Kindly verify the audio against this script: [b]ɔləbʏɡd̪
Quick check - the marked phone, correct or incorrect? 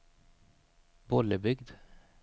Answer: correct